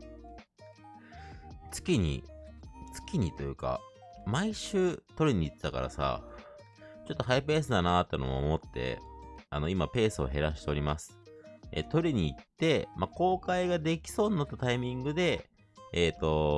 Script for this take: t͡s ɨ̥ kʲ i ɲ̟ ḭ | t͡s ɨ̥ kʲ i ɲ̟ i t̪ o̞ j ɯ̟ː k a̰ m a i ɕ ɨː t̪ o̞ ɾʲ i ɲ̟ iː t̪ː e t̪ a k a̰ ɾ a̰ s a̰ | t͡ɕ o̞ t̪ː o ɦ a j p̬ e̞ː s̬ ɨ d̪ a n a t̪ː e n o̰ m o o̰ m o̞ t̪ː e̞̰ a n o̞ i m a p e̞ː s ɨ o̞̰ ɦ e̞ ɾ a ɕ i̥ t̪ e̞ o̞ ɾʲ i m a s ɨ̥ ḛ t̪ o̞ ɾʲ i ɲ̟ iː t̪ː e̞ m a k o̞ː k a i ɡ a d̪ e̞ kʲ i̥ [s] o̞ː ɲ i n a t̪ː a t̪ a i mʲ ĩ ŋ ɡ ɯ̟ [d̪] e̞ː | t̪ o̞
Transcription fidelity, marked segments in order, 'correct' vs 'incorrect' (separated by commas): correct, correct